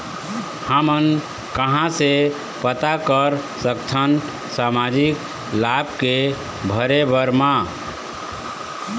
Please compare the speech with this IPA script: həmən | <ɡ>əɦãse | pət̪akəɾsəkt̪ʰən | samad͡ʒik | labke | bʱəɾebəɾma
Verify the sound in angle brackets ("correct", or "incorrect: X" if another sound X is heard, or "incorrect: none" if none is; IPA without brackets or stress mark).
incorrect: k